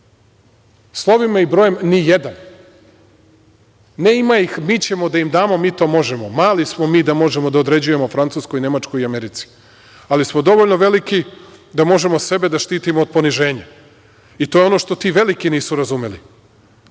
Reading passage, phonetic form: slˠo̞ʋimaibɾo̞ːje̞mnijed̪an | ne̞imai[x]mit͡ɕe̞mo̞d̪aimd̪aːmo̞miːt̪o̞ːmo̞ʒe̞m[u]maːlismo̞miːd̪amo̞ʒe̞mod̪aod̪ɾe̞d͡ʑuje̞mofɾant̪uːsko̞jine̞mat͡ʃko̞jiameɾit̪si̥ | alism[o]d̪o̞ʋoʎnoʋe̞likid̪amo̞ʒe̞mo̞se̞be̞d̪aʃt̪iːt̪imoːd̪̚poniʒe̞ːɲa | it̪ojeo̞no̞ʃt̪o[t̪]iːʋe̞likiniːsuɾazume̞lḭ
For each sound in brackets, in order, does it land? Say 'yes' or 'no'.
yes, no, yes, yes

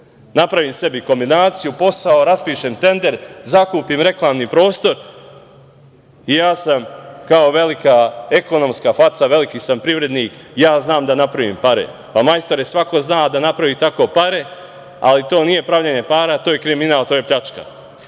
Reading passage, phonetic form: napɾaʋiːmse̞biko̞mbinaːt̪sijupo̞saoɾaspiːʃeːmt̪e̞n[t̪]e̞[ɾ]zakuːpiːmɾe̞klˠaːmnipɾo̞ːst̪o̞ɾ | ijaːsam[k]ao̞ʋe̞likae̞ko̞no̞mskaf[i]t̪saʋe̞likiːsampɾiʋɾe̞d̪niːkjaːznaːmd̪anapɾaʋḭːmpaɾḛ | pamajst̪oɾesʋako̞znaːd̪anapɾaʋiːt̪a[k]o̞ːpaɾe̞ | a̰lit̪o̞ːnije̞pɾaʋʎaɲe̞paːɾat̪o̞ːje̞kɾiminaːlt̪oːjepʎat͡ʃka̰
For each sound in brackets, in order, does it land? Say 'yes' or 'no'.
no, yes, yes, no, yes

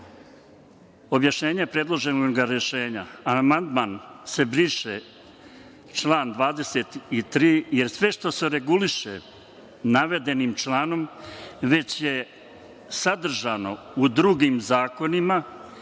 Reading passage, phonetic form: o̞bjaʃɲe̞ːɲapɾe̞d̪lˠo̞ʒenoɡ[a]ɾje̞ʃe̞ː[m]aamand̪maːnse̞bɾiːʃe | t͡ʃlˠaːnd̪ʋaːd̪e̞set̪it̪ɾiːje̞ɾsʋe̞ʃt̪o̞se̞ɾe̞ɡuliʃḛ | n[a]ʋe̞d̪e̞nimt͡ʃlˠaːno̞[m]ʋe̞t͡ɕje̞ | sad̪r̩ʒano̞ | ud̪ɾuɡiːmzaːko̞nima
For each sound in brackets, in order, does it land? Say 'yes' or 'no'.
yes, no, yes, yes

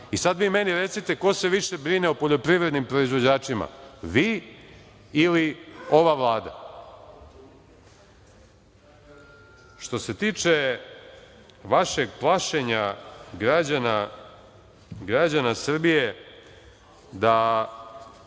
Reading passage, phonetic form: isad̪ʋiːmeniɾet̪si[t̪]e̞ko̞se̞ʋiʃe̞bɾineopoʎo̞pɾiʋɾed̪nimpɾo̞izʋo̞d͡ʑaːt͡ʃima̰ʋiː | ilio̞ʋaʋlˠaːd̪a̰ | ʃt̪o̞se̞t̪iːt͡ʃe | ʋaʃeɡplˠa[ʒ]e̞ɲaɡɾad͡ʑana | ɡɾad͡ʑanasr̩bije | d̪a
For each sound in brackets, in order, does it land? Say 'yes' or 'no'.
yes, no

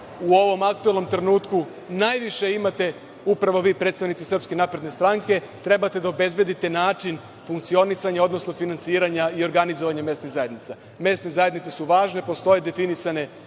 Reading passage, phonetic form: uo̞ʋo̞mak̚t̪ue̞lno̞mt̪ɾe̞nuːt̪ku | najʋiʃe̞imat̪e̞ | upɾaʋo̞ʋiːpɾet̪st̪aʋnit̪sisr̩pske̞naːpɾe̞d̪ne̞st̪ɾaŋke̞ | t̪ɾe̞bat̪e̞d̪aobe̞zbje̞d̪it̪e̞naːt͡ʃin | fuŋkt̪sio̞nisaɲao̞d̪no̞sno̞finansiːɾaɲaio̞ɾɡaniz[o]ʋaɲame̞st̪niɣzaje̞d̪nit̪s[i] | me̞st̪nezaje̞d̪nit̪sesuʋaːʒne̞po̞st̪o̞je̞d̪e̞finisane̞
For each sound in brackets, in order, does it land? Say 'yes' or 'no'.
yes, no

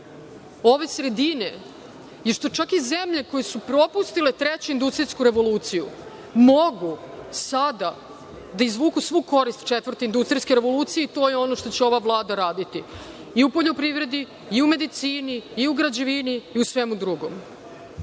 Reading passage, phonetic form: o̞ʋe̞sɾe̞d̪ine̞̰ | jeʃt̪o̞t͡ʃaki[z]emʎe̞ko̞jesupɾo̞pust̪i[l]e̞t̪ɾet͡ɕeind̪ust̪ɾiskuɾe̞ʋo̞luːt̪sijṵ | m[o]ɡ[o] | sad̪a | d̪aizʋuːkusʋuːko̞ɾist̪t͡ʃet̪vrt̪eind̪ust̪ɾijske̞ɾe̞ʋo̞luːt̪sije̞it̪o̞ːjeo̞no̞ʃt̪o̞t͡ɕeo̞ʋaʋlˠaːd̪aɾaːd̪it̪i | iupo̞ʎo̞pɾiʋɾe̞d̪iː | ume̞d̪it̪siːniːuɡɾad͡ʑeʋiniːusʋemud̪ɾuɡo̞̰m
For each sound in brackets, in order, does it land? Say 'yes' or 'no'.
yes, yes, yes, no

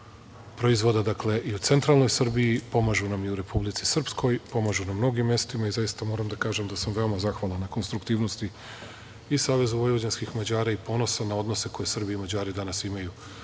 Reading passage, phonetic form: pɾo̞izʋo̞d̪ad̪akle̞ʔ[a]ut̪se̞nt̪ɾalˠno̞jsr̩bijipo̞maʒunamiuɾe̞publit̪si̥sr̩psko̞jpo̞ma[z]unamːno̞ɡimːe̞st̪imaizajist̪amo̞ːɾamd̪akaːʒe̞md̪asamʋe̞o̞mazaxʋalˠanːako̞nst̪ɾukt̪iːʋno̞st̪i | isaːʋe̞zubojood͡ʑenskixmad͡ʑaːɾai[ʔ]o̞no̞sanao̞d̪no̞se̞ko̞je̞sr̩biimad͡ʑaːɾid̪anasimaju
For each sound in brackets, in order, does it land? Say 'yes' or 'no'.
no, no, no

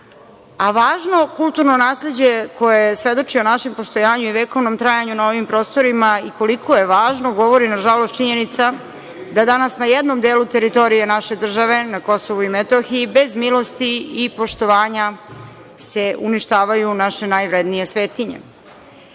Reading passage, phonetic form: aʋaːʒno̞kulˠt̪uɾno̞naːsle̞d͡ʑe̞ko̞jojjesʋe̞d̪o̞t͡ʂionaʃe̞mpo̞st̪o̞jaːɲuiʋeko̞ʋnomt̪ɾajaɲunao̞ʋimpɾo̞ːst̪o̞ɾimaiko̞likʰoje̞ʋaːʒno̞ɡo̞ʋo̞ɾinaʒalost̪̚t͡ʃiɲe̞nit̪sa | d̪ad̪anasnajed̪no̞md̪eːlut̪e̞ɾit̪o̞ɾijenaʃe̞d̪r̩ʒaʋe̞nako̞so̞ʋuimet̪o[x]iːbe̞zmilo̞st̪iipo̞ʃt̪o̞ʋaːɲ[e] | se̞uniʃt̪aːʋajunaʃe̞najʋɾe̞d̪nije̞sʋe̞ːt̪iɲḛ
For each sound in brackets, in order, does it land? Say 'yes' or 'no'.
yes, no

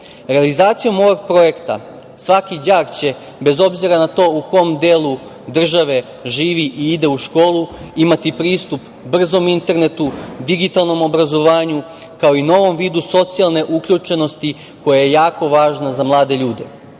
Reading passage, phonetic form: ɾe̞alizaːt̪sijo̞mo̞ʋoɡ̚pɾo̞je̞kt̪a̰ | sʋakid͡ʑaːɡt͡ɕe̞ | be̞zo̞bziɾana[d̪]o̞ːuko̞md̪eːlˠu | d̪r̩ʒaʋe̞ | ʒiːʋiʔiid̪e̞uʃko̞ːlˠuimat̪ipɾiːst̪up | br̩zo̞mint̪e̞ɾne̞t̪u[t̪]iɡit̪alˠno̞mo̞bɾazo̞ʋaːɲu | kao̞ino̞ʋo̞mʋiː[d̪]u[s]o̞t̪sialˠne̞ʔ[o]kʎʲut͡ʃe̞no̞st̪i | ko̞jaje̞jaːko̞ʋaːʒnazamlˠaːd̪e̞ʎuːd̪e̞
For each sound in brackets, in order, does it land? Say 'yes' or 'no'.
no, no, yes, yes, no

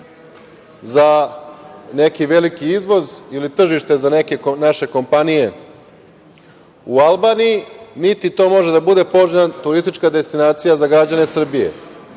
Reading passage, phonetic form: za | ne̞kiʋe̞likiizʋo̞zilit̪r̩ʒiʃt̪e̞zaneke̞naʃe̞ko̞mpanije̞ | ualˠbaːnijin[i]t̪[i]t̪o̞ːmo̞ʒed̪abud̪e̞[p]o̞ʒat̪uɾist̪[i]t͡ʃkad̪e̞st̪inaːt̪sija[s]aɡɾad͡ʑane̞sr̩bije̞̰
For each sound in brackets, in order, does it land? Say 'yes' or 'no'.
yes, yes, yes, yes, no

